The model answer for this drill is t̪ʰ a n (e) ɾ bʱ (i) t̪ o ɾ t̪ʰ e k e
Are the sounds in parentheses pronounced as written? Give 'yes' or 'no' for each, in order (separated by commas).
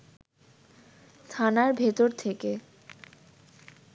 no, no